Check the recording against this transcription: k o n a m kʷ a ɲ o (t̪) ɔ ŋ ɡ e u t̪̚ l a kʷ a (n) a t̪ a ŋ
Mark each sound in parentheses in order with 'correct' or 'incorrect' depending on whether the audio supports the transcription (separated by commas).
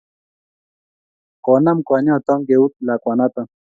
correct, correct